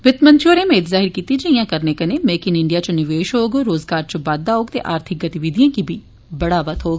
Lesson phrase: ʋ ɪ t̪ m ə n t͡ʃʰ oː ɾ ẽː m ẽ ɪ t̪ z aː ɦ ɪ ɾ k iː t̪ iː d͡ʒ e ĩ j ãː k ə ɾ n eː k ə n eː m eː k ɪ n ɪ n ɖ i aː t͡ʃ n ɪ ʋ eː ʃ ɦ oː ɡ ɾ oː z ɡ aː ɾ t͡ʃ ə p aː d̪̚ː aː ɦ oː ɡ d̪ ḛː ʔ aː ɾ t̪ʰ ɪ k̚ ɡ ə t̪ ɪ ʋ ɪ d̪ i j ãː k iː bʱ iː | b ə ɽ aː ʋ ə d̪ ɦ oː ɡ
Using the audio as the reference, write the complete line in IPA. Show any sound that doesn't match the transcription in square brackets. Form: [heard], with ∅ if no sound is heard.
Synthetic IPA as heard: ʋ ɪ t̪ m ə n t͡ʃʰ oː ɾ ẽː m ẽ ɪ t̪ z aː ɦ ɪ ɾ k iː t̪ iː d͡ʒ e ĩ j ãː k ə ɾ n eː k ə n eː m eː k ɪ n ɪ [ɳ] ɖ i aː t͡ʃ n ɪ ʋ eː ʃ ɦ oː ɡ ɾ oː z ɡ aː ɾ t͡ʃ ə [b] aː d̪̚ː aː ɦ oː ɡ [t̪] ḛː ʔ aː ɾ t̪ʰ ɪ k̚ ɡ ə t̪ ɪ ʋ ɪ d̪ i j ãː k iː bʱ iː | b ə ɽ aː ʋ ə [t̪] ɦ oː ɡ

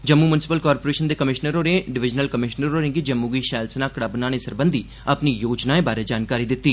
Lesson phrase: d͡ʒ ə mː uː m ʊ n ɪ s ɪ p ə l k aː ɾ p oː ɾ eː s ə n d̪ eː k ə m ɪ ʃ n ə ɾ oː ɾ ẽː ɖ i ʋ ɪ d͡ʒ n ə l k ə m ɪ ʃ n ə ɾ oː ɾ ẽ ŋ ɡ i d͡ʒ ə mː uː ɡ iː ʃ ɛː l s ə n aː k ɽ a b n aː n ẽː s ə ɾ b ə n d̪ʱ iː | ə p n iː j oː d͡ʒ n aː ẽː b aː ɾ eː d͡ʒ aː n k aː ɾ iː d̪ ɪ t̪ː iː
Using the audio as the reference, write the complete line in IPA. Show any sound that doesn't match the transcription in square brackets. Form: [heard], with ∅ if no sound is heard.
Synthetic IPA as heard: d͡ʒ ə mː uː m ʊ n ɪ s ɪ p ə l k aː ɾ p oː ɾ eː [ʃ] ə n d̪ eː k ə m ɪ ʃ n ə ɾ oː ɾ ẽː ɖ [ɪ] ʋ ɪ d͡ʒ n ə l k ə m ɪ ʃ n ə ɾ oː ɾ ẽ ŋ ɡ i d͡ʒ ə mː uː ɡ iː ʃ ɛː l s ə n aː k ɽ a b n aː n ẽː s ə ɾ b ə n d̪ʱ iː | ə p n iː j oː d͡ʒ n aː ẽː b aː ɾ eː d͡ʒ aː n k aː ɾ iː d̪ ɪ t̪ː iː

